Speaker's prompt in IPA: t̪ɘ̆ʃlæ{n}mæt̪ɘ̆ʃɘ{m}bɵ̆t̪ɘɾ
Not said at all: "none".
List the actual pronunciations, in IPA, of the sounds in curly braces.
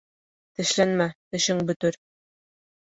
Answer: n, ŋ

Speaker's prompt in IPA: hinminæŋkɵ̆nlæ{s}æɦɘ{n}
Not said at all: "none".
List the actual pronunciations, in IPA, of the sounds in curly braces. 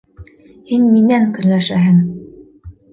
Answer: ʃ, ŋ

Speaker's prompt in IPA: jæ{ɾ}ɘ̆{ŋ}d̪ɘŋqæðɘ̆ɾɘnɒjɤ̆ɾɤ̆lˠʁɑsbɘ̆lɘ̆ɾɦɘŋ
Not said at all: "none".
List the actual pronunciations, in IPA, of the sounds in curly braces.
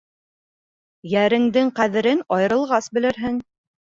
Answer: ɾ, ŋ

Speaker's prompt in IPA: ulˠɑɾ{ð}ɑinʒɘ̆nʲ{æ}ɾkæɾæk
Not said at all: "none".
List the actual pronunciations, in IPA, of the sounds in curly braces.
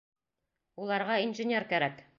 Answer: ʁ, e

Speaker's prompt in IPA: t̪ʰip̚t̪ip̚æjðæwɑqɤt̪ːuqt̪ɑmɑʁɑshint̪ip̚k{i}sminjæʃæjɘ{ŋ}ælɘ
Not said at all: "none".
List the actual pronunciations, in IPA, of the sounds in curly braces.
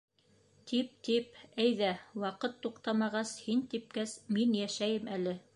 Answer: æ, m

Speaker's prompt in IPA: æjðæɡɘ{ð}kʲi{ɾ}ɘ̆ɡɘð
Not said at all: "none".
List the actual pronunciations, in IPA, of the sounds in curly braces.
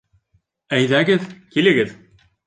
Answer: ð, l

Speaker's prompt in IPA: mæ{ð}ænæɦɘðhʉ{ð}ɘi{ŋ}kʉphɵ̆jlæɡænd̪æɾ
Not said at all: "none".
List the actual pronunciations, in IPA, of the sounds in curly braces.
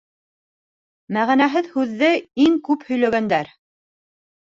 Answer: ʁ, ðː, ŋ

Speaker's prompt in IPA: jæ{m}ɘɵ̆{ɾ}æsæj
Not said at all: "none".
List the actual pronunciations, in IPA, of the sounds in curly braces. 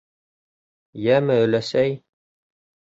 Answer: m, l

